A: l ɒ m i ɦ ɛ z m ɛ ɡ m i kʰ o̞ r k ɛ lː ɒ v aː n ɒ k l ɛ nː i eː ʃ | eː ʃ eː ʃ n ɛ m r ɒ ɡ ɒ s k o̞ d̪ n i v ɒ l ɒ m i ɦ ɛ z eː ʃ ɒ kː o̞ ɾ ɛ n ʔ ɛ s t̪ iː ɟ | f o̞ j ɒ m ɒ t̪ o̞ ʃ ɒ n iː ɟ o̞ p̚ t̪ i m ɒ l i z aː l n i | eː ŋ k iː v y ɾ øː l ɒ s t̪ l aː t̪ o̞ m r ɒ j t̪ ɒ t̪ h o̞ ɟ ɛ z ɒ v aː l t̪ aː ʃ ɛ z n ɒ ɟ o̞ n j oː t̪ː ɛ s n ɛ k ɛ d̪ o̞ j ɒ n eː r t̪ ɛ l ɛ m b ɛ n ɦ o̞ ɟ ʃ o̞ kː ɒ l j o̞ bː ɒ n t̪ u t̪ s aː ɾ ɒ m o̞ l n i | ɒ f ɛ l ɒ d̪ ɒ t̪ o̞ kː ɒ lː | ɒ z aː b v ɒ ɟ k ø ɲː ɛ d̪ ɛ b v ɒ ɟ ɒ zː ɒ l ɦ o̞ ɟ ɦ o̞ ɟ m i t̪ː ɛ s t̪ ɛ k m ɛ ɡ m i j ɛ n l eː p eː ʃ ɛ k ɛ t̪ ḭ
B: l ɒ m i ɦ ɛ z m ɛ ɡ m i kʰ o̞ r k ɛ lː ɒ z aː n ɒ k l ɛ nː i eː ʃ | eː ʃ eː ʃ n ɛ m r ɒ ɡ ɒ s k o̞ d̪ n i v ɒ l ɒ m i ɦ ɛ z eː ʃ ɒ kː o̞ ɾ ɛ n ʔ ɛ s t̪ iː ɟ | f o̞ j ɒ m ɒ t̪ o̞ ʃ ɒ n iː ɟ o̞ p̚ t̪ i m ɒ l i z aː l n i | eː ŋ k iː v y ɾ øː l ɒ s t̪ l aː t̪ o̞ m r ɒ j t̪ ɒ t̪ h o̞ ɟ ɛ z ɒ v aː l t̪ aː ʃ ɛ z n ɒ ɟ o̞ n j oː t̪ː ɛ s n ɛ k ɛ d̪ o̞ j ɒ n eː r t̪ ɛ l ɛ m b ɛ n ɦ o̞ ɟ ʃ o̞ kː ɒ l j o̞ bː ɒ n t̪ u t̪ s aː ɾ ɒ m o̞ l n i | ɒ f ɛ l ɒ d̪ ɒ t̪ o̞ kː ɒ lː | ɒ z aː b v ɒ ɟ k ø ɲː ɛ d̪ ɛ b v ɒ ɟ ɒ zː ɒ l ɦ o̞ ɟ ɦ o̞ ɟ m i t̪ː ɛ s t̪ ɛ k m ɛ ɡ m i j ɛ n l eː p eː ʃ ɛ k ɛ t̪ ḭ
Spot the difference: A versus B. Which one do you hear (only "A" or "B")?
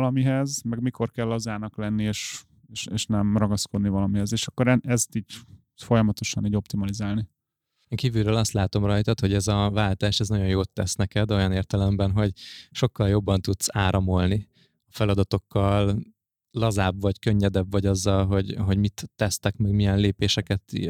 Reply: B